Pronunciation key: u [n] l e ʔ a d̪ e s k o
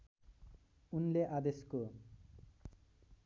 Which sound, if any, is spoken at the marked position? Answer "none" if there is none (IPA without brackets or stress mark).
n